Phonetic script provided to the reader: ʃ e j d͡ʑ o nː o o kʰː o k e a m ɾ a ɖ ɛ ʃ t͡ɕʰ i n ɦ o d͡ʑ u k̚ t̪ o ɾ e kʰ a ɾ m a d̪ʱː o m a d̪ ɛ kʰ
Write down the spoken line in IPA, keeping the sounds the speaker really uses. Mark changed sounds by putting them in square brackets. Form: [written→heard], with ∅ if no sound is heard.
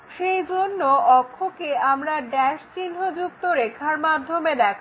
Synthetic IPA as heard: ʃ e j d͡ʑ o nː o [o→ɔ] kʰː o k e a m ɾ a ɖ ɛ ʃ [t͡ɕʰ→t͡ɕ] i n ɦ o d͡ʑ u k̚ t̪ o ɾ e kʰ a ɾ m a d̪ʱː o m [a→e] d̪ ɛ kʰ